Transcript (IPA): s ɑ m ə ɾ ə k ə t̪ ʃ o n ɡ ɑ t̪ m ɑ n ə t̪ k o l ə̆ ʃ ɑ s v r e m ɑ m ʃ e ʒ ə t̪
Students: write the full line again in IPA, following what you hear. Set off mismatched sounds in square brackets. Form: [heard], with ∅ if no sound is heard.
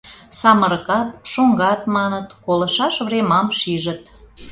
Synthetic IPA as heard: s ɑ m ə ɾ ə k [ɑ] t̪ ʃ o [ŋ] ɡ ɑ t̪ m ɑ n ə t̪ k o l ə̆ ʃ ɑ [ʃ] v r e m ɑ m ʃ [i] ʒ ə t̪